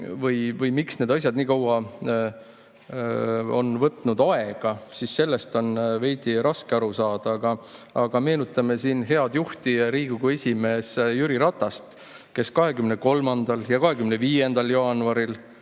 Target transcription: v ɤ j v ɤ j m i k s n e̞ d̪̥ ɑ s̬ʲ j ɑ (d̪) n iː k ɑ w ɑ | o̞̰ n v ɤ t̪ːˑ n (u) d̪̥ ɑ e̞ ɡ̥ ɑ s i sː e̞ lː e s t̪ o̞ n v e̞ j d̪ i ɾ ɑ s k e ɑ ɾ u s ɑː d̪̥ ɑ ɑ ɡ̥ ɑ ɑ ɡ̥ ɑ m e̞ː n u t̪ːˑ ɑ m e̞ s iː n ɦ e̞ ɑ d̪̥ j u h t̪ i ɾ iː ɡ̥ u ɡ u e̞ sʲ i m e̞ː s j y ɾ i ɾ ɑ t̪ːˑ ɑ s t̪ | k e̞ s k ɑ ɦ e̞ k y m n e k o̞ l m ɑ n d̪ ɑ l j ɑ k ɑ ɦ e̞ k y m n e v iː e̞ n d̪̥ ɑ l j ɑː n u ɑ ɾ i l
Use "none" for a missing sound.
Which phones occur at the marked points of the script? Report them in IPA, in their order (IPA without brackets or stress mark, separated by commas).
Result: d̪, u